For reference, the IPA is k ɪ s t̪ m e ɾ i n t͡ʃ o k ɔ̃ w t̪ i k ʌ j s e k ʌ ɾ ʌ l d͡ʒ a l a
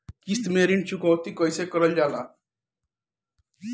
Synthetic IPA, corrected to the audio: k i s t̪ m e ɾ i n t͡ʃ u k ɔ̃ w t̪ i k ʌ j s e k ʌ ɾ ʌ l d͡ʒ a l a